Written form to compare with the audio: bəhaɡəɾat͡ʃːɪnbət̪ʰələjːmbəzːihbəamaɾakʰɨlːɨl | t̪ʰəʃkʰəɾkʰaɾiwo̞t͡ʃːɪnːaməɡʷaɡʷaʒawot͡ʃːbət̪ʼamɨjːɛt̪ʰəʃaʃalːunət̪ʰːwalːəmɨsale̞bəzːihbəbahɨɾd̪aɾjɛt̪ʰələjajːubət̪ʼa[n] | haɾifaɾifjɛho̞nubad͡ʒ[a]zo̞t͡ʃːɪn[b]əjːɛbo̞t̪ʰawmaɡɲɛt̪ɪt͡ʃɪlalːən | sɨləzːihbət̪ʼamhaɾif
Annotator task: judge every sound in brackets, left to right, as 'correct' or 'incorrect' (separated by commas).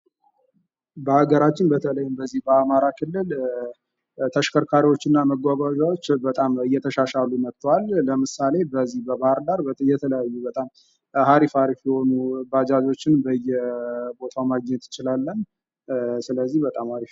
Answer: incorrect, correct, correct